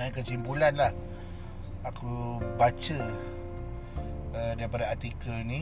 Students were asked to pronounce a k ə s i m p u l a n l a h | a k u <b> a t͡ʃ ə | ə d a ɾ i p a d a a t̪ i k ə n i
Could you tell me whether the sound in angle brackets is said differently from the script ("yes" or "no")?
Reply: no